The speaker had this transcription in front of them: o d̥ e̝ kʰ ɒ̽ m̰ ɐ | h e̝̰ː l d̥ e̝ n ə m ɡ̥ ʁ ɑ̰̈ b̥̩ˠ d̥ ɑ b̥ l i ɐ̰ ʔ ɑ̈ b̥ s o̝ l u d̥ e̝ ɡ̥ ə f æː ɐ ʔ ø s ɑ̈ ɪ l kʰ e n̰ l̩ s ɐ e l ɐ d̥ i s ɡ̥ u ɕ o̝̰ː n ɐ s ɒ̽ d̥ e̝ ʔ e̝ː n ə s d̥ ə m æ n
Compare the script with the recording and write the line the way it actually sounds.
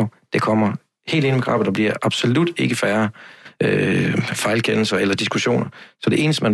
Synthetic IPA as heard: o d̥ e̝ kʰ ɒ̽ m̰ ɐ | h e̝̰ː l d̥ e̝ n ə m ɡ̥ ʁ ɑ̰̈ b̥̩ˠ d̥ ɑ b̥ l i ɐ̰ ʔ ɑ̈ b̥ s o̝ l u d̥ e̝ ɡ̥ ə f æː ɐ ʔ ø f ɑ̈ ɪ l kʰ e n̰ l̩ s ɐ e l ɐ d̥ i s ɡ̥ u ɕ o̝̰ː n ɐ s ɒ̽ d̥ e̝ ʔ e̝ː n ə s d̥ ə m æ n